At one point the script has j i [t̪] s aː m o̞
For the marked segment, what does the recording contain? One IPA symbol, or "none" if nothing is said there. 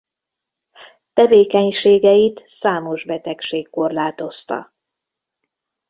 t̪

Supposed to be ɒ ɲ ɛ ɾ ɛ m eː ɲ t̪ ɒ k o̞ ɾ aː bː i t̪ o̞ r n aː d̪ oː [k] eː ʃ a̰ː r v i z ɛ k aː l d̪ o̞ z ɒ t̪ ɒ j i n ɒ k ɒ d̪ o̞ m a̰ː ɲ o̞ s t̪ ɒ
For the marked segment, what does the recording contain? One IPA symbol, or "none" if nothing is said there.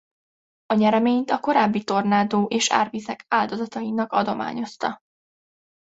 ʔ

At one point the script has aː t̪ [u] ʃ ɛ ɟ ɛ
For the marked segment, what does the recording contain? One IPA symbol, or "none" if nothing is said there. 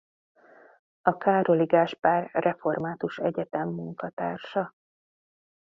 u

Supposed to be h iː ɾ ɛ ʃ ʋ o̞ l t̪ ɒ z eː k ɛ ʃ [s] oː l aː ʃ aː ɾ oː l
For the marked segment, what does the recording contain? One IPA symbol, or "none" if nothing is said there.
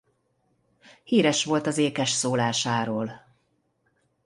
s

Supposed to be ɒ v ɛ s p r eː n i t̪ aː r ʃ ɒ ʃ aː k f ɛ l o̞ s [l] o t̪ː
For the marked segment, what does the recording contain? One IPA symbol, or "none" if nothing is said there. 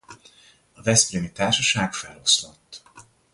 l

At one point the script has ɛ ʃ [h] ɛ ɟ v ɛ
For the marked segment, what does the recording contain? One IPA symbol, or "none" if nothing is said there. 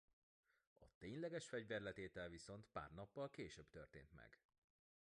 f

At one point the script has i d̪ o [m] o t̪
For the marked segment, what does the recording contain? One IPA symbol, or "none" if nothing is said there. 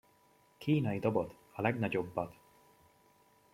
b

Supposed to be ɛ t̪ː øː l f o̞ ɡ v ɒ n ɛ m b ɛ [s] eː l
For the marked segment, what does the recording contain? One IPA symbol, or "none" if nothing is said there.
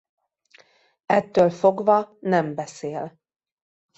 s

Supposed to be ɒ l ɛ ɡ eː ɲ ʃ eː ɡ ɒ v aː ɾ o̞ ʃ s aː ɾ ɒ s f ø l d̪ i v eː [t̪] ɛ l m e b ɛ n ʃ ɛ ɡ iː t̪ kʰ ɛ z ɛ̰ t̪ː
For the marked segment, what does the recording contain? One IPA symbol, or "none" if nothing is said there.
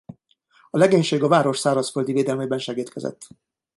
d̪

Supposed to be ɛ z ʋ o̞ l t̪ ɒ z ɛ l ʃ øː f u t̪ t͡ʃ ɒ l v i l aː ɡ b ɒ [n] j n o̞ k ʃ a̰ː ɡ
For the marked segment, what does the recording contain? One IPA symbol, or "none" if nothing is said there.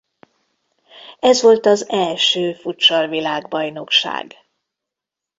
none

